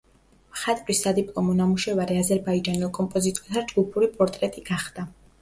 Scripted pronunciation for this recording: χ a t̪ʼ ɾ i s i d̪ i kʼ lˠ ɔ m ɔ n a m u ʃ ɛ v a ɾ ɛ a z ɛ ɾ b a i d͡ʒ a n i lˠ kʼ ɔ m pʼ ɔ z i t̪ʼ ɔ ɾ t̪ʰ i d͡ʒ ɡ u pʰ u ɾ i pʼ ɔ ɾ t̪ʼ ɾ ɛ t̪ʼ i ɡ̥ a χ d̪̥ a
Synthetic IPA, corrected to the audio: χ a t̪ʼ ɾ i s a d̪ i pʼ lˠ ɔ m ɔ n a m u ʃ ɛ v a ɾ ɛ a z ɛ ɾ b a i d͡ʒ a n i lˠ kʼ ɔ m pʼ ɔ z i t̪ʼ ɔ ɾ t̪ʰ a d͡ʒ ɡ u pʰ u ɾ i pʼ ɔ ɾ t̪ʼ ɾ ɛ t̪ʼ i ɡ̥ a χ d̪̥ a